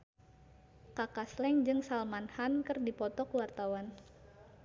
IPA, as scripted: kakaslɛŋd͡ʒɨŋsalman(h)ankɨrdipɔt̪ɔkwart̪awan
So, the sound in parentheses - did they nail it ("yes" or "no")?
yes